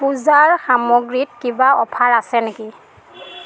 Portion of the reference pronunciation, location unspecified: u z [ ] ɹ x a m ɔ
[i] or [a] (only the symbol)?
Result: a